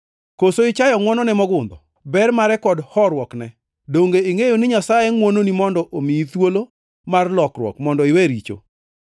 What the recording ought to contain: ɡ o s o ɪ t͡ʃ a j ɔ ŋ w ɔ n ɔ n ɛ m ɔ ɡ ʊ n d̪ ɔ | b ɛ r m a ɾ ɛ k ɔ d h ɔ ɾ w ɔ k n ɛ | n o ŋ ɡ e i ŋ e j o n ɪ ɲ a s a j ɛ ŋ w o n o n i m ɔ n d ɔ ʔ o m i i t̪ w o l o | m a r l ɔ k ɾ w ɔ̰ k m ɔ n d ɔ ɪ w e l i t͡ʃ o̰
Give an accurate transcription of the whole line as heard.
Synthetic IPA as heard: k o s o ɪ t͡ʃ a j ɔ ŋ w ɔ n ɔ n ɛ m ɔ ɡ ʊ n d̪ ɔ | b ɛ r m a ɾ ɛ k ɔ d h ɔ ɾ w ɔ k n ɛ | d o ŋ ɡ e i ŋ e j o n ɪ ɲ a s a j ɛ ŋ w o n o n i m ɔ n d ɔ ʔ o m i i t̪ w o l o | m a r l ɔ k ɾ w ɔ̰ k m ɔ n d ɔ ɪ w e ɾ i t͡ʃ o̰